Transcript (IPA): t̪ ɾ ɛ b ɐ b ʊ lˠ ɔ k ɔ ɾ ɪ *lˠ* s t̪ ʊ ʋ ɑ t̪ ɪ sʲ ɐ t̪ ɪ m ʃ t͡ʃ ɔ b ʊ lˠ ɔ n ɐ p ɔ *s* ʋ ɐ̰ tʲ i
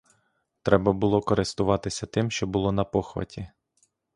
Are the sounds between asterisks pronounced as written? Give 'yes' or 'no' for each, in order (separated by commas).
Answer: no, no